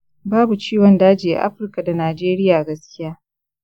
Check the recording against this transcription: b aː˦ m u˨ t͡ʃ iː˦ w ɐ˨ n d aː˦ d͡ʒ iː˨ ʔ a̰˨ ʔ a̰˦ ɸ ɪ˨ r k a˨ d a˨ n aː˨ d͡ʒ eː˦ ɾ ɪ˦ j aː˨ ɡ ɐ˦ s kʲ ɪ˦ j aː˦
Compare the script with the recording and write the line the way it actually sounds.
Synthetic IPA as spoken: b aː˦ b u˨ t͡ʃ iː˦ w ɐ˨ n d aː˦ d͡ʒ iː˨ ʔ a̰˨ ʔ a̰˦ ɸ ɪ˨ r k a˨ d a˨ n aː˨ d͡ʒ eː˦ ɾ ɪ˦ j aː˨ ɡ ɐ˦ s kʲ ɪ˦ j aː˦